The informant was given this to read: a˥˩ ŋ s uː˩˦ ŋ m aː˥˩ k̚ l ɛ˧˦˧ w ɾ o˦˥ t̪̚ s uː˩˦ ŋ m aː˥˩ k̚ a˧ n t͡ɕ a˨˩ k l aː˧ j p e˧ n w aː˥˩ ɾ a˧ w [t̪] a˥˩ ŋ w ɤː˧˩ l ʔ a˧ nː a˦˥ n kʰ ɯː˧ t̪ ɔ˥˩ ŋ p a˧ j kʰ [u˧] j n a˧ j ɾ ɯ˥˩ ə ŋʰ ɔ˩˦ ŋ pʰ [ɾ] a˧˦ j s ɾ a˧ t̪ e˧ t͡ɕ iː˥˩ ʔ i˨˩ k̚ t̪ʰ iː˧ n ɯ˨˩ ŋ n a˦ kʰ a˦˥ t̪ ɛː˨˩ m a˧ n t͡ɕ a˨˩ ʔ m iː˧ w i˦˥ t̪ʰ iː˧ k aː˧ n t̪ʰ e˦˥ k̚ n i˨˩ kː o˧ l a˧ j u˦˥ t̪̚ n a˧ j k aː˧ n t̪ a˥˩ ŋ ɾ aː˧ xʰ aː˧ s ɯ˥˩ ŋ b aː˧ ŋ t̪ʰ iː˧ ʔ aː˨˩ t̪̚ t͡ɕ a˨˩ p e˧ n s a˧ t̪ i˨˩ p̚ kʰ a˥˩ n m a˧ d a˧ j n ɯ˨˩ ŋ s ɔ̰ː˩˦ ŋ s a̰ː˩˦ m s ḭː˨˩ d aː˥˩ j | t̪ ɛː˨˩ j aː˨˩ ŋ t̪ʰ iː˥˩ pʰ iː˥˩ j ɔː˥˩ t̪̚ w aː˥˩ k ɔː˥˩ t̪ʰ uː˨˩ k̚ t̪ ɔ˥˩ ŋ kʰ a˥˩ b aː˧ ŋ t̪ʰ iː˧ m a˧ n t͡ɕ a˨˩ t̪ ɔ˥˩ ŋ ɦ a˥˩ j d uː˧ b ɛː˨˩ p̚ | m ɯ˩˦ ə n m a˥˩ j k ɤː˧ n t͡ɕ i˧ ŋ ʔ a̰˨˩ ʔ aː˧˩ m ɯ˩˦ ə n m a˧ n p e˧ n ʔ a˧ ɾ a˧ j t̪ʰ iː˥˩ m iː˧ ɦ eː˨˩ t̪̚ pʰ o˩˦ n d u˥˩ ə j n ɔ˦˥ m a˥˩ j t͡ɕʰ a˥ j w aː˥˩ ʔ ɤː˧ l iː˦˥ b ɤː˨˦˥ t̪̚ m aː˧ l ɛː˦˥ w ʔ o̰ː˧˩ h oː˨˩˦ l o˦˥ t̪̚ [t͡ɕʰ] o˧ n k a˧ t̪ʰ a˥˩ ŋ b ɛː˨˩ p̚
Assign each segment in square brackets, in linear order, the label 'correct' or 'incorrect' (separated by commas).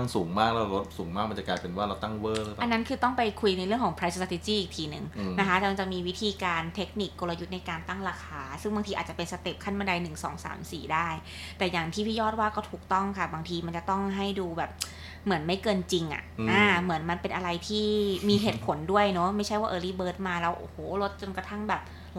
correct, correct, correct, incorrect